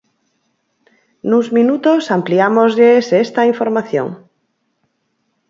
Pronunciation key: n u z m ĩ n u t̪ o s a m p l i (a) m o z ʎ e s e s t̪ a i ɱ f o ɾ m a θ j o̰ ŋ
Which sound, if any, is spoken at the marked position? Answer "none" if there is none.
a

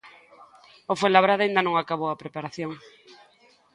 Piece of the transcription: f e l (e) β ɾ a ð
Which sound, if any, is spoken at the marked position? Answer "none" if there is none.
a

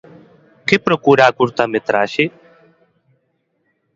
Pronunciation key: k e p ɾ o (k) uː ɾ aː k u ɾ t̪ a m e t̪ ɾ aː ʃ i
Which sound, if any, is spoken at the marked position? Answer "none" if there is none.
k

